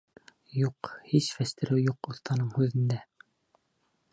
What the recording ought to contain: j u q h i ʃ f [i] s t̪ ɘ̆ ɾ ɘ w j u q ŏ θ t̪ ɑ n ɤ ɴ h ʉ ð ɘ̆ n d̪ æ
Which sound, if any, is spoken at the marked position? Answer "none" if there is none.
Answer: æ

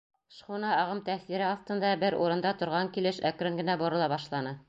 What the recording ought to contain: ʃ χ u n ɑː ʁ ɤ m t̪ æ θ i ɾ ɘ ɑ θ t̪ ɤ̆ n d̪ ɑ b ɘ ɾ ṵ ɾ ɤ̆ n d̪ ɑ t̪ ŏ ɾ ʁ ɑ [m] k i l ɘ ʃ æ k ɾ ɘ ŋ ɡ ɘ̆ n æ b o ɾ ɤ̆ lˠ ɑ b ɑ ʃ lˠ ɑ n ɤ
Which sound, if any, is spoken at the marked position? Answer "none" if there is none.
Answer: ŋ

